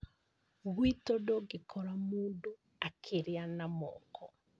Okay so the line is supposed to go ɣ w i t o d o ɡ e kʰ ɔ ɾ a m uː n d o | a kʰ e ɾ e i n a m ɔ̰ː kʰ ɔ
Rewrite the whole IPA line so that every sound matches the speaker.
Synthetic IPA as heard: ɣ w i t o d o ɡ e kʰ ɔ ɾ a m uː n d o | a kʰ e ɾ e a n a m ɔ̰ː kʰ ɔ

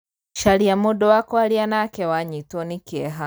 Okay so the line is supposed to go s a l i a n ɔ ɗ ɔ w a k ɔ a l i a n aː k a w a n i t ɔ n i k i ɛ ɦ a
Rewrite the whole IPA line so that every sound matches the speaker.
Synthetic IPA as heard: ʃ a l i a m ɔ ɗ ɔ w a k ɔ a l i a n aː k ɛ w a ɲ i t ɔ n i k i ɛ ɦ a

